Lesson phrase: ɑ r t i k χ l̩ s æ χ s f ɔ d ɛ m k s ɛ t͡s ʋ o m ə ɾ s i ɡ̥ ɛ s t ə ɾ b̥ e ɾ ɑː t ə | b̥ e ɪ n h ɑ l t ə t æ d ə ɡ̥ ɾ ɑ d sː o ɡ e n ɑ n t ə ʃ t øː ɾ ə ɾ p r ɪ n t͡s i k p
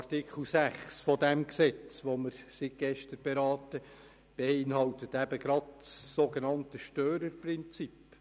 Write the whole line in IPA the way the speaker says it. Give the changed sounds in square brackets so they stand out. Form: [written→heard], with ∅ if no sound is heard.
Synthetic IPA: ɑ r t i k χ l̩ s æ χ s f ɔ d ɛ m k s ɛ t͡s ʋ o m ə ɾ s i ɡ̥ ɛ [s→ʃ] t ə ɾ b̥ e ɾ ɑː t ə | b̥ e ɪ n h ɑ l t ə t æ [d→b] ə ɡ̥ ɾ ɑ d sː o ɡ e n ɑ n t ə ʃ t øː ɾ ə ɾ p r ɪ n t͡s i [k→∅] p